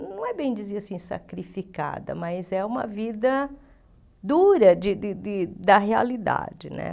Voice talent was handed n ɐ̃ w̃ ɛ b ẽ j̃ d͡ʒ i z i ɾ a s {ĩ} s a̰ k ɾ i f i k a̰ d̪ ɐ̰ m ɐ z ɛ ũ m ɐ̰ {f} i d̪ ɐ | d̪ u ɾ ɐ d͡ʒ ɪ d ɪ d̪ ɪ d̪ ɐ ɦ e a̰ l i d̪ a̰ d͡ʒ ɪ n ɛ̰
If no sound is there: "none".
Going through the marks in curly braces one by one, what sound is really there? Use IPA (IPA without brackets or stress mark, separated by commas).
ĩ, v